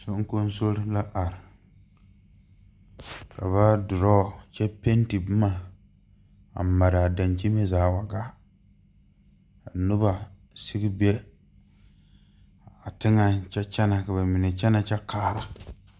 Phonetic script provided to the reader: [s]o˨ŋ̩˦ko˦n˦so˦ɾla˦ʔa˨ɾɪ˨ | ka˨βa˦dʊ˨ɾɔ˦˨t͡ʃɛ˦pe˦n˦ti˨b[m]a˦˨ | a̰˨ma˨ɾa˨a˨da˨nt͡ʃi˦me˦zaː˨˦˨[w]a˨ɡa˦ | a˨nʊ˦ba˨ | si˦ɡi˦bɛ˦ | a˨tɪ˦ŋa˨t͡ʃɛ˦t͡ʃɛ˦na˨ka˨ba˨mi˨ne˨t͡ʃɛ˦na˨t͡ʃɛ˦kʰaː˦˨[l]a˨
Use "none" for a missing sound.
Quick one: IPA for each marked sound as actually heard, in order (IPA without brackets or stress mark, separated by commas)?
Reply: s, m, w, ɾ